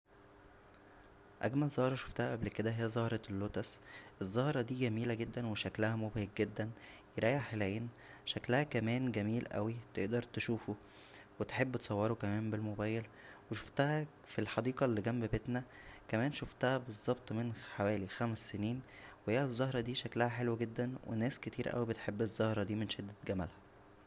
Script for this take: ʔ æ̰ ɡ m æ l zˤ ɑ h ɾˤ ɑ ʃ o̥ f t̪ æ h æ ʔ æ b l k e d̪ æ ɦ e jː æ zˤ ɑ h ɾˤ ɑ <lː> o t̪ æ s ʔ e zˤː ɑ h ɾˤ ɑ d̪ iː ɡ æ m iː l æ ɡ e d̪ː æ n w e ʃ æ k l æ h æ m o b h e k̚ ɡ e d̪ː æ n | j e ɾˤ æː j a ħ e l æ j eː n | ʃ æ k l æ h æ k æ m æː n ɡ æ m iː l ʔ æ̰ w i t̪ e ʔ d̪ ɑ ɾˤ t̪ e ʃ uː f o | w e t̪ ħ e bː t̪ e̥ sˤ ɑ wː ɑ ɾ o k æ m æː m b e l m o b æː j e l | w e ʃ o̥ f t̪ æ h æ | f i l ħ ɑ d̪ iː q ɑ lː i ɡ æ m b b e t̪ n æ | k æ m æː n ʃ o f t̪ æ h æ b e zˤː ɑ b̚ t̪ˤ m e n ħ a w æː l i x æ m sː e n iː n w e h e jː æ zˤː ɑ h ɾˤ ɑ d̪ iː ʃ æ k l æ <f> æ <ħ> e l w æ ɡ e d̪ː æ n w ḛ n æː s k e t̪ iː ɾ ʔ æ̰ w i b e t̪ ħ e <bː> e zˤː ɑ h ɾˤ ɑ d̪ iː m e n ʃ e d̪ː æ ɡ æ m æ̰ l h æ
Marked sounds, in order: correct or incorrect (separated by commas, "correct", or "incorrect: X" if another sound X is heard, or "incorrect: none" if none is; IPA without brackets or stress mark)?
correct, incorrect: h, correct, correct